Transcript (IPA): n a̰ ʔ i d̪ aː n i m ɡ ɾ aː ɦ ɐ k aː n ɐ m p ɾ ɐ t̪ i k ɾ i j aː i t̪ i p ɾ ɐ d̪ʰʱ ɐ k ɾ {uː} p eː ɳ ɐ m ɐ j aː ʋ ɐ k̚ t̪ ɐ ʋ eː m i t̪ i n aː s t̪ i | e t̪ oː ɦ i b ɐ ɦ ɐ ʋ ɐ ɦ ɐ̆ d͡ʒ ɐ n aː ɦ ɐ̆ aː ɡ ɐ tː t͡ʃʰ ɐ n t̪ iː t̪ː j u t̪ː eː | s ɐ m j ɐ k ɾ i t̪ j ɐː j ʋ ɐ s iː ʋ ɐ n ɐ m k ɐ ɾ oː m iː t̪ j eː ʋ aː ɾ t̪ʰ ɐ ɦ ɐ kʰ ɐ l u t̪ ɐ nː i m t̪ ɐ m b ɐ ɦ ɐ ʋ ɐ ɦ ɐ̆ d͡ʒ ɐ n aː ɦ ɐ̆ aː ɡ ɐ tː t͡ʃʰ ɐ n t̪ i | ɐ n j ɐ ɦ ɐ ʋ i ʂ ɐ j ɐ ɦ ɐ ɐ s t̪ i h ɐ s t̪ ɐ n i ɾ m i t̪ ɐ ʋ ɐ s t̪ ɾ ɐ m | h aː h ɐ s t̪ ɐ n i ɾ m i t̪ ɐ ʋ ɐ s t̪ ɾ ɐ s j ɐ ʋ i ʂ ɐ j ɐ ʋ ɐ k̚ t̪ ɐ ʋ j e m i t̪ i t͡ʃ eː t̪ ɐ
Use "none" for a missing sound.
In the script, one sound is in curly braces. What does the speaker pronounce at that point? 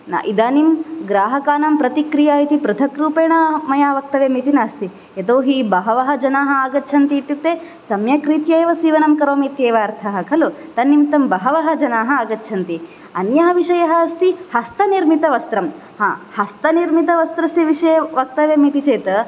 uː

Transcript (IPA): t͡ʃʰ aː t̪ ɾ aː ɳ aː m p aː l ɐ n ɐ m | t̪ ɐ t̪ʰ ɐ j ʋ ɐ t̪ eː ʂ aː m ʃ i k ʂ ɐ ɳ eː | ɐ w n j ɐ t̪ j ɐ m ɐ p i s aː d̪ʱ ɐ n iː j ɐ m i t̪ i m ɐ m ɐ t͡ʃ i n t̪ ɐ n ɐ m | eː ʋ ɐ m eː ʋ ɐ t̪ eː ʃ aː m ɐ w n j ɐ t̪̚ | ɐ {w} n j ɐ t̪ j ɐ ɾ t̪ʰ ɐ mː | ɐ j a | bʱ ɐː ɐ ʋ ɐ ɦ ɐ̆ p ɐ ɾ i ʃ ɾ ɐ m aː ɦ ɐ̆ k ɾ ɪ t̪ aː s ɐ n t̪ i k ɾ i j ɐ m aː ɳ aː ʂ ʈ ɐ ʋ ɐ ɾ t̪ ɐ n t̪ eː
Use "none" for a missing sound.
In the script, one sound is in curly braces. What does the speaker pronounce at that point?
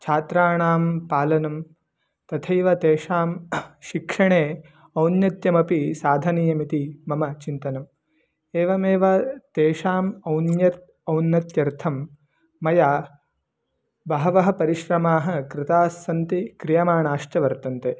w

